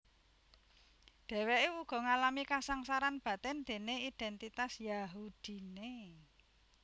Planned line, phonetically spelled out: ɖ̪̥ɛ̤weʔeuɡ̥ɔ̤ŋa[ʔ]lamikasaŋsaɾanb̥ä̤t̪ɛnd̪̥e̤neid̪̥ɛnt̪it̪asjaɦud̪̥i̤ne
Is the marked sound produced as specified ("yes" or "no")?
no